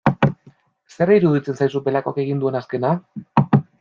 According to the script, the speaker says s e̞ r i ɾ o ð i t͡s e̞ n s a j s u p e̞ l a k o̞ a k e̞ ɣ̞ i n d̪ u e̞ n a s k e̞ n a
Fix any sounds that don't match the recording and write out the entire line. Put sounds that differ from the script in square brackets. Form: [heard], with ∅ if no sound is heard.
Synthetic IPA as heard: s e̞ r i ɾ [u] ð i t͡s e̞ n s a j s u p e̞ l a k o̞ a k e̞ ɣ̞ i n d̪ u e̞ n a s k e̞ n a